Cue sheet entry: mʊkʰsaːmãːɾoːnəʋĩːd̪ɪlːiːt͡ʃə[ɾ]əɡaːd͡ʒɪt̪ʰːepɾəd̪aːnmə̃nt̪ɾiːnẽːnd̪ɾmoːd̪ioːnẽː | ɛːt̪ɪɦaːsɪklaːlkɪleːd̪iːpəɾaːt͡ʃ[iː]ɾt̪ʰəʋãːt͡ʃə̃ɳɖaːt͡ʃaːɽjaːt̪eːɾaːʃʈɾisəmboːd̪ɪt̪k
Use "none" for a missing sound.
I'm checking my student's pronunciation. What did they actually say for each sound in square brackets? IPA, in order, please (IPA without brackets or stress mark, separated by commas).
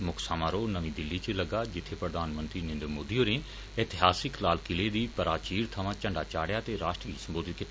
l, iː